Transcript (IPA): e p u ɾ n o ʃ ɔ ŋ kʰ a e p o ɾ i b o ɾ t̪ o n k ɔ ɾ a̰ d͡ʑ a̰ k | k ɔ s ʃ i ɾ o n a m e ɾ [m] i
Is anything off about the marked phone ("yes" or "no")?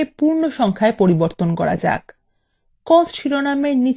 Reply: yes